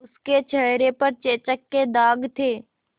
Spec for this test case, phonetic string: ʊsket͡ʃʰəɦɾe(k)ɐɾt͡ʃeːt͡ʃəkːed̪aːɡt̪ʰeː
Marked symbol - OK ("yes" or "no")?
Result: no